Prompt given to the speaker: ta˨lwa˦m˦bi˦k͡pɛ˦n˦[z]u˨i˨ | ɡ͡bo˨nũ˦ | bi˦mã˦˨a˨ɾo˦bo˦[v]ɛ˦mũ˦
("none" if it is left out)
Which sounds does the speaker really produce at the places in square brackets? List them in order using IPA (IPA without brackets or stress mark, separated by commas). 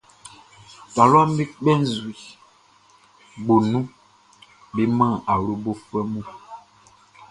z, f